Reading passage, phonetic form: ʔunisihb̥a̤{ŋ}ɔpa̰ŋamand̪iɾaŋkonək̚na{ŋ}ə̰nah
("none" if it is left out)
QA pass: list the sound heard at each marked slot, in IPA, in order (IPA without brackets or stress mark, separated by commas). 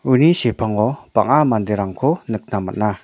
ŋ, m